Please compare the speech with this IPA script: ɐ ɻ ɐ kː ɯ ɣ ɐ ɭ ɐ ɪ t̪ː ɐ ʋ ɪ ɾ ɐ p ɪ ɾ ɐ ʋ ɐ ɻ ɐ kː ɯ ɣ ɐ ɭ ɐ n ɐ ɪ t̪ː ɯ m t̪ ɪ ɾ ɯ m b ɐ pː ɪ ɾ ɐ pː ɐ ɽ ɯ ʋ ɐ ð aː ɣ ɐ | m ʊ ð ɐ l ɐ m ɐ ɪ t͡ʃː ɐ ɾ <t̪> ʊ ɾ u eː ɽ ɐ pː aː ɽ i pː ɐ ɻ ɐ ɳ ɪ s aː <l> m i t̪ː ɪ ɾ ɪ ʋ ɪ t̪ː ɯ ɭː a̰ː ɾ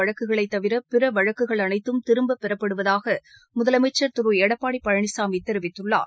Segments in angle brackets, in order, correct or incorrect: correct, incorrect: none

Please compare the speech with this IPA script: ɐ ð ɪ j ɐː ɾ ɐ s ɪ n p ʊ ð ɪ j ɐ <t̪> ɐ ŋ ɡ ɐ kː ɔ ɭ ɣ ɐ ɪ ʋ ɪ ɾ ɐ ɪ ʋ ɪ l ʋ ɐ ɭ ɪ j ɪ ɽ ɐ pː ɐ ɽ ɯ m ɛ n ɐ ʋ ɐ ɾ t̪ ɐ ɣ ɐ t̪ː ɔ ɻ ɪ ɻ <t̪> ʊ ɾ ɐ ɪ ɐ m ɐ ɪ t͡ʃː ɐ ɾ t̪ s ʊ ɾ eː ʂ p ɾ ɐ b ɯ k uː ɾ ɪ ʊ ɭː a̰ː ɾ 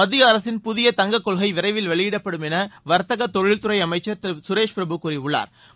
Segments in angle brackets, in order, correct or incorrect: correct, correct

